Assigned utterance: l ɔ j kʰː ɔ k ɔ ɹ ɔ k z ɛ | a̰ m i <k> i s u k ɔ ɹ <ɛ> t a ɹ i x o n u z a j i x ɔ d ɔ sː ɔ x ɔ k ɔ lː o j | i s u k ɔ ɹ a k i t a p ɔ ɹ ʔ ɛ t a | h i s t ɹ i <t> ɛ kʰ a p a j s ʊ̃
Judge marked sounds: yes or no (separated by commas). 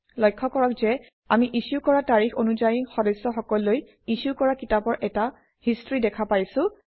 no, no, no